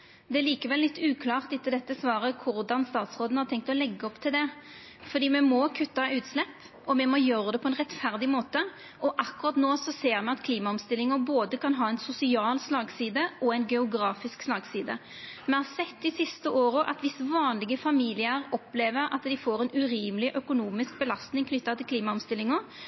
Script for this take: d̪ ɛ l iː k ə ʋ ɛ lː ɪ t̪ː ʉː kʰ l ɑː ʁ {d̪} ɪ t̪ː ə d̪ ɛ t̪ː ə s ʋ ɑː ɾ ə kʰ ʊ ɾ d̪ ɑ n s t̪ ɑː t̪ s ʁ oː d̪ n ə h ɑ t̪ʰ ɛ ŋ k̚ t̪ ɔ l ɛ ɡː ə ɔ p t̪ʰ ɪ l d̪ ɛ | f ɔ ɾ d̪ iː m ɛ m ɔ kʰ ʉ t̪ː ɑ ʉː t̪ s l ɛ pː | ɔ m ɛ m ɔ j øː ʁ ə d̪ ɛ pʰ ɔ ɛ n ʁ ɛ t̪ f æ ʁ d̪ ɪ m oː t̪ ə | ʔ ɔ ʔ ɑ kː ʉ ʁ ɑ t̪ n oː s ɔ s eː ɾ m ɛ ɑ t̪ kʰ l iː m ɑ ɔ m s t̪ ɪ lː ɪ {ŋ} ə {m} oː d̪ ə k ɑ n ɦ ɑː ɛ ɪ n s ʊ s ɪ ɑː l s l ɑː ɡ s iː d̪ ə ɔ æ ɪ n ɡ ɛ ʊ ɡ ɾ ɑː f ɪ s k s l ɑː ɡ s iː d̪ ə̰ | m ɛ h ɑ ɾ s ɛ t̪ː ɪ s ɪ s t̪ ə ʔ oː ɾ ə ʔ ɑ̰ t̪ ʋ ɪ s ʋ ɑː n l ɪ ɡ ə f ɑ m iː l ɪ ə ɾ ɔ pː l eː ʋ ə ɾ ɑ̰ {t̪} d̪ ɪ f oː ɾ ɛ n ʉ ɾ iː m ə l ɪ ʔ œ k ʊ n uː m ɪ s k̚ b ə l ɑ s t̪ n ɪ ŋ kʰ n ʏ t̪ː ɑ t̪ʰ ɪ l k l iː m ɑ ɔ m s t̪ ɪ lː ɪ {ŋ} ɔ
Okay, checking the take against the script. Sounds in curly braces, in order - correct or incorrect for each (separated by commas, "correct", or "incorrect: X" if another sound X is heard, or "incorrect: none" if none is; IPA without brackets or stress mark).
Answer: incorrect: t̪, correct, incorrect: b, correct, correct